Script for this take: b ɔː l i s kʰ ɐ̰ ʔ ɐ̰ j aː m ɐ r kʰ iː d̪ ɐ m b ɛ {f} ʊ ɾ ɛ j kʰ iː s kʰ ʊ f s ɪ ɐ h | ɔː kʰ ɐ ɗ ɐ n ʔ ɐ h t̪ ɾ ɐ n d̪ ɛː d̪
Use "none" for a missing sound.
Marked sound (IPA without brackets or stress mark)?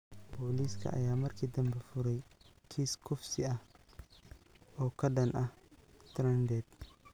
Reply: f